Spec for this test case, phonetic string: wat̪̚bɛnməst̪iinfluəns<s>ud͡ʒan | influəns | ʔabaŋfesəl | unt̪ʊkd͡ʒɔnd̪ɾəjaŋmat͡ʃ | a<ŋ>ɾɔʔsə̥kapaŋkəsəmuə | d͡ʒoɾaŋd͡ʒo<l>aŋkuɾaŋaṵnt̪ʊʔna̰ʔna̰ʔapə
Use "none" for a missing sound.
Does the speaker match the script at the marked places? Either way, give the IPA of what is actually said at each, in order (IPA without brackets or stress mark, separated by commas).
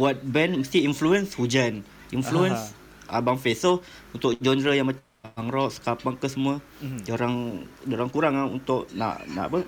h, ŋ, ɾ